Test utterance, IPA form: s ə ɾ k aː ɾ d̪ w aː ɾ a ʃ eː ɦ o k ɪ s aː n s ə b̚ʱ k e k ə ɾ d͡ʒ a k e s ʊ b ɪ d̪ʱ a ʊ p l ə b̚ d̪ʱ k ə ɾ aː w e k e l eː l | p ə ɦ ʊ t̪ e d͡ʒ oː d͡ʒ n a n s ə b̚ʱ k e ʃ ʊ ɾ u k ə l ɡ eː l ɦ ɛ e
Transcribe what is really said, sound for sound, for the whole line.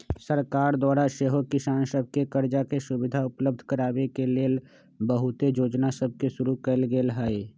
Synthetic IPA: s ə ɾ k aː ɾ d̪ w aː ɾ a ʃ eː ɦ o k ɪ s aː n s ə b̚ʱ k e k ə ɾ d͡ʒ a k e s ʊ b ɪ d̪ʱ a ʊ p l ə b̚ d̪ʱ k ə ɾ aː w e k e l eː l | b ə ɦ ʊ t̪ e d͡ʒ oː d͡ʒ n a s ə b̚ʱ k e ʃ ʊ ɾ u k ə l ɡ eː l ɦ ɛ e

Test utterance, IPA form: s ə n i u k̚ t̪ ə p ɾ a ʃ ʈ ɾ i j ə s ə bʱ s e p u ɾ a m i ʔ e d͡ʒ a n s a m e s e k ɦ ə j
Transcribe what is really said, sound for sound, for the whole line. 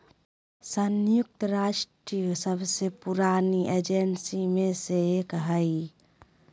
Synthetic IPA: s ə n j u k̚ t̪ ə ɾ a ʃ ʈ ɾ i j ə s ə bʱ s e p u ɾ a n i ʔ e d͡ʒ e n s i m e s e k ɦ ə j

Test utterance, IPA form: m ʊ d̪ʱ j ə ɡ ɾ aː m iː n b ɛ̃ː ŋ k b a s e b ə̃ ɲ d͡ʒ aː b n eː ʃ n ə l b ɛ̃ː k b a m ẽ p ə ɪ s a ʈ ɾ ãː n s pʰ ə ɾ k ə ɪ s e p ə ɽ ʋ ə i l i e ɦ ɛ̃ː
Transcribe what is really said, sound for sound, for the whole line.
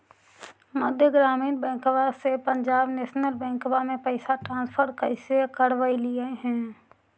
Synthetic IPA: m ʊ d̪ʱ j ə ɡ ɾ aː m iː n b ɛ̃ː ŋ k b a s e p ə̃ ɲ d͡ʒ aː b n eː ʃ n ə l b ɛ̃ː k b a m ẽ p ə ɪ s a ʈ ɾ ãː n s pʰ ə ɾ k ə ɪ s e k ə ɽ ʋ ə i l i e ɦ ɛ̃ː

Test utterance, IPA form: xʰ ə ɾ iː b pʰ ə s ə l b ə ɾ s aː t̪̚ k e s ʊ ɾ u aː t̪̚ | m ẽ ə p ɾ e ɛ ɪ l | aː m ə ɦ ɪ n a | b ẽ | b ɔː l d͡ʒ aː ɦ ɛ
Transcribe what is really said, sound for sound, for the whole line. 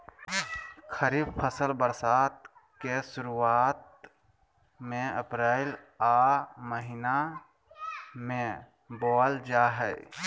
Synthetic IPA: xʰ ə ɾ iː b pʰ ə s ə l b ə ɾ s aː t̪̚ k e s ʊ ɾ u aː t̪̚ | m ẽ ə p ɾ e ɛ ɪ l | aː m ə ɦ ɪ n a | m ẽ | b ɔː l d͡ʒ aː ɦ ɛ

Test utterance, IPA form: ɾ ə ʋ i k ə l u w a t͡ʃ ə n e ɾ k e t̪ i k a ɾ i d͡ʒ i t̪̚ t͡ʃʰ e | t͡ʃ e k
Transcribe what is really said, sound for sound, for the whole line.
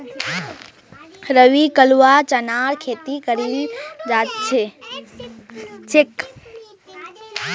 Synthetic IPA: ɾ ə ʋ i k ə l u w a t͡ʃ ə n a ɾ kʰ e t̪ i k ə ɾ i d͡ʒ a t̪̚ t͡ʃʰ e | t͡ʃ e k

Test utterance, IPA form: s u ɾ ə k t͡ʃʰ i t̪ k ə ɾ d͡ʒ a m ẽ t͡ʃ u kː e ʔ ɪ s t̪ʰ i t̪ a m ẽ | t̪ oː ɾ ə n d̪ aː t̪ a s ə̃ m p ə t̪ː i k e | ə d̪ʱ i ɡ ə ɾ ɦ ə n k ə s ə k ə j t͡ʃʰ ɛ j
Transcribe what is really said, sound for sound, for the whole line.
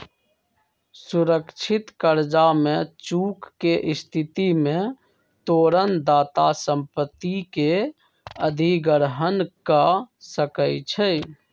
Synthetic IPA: s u ɾ ə k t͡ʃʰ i t̪ k ə ɾ d͡ʒ a m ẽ t͡ʃ u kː e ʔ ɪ s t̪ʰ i t̪ i m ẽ | t̪ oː ɾ ə n d̪ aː t̪ a s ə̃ m p ə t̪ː i k e | ə d̪ʱ i ɡ ə ɾ ɦ ə n k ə s ə k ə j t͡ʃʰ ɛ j

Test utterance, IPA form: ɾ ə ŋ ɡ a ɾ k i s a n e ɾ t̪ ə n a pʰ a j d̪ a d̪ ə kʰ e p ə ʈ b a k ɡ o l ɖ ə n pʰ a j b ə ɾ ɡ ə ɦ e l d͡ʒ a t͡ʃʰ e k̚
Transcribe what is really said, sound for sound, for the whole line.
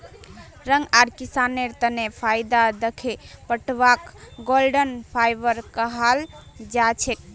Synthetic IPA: ɾ ə ŋ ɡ a ɾ k i s a n e ɾ t̪ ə n e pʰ a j d̪ a d̪ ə kʰ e p ə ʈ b a k ɡ o l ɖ ə n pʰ a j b ə ɾ k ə ɦ a l d͡ʒ a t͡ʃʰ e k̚

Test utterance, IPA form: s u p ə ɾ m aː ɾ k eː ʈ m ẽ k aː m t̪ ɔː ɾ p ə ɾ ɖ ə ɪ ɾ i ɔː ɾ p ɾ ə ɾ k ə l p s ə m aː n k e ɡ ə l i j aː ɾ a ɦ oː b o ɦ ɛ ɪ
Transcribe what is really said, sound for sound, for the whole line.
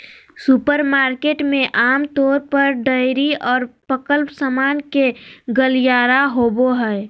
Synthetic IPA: s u p ə ɾ m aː ɾ k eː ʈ m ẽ ʔ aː m t̪ ɔː ɾ p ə ɾ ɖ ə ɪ ɾ i ɔː ɾ p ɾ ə k ə l p s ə m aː n k e ɡ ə l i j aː ɾ a ɦ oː b o ɦ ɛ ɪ

